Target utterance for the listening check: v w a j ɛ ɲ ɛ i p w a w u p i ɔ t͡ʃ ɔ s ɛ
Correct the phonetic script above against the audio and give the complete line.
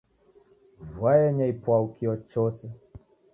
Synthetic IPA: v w a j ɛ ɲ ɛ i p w a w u k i ɔ t͡ʃ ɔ s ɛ